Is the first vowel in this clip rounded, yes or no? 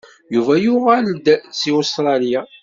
yes